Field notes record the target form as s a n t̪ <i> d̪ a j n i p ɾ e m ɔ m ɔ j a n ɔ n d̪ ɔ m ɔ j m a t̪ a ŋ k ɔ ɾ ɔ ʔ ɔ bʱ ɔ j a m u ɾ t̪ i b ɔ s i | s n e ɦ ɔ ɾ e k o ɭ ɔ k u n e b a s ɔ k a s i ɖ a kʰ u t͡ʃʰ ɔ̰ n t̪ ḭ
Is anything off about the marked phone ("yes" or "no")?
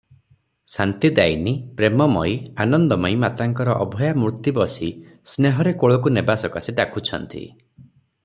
no